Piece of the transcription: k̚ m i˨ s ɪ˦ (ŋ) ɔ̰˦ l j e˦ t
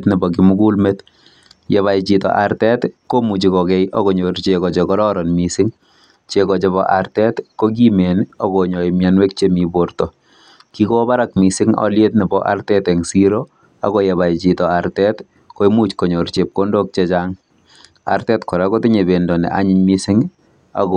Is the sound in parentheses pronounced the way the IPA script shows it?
yes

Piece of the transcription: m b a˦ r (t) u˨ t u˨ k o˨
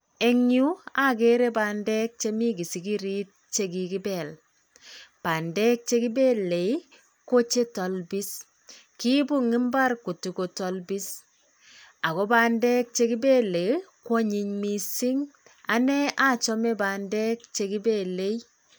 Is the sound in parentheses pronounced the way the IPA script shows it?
no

